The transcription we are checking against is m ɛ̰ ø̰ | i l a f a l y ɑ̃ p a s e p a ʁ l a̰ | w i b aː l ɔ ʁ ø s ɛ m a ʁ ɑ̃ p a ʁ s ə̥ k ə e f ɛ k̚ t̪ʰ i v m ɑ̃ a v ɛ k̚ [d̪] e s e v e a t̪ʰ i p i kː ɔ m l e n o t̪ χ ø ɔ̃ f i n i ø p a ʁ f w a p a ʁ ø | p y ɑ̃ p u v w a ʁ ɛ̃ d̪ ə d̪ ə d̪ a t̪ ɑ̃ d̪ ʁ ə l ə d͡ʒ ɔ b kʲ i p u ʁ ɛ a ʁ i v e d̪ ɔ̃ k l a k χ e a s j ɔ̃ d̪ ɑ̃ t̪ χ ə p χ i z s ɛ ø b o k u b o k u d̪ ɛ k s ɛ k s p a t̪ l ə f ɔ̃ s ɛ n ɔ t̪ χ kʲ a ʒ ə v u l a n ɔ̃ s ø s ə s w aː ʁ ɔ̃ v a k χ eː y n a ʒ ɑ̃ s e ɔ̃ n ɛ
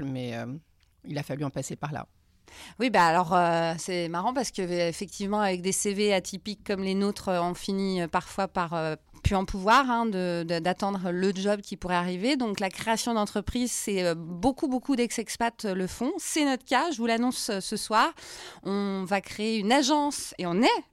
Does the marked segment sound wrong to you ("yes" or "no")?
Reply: no